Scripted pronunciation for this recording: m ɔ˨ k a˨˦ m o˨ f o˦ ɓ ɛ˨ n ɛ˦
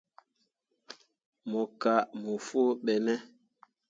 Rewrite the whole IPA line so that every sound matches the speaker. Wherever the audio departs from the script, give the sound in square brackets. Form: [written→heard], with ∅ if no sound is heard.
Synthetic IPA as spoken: m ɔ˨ k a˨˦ m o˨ f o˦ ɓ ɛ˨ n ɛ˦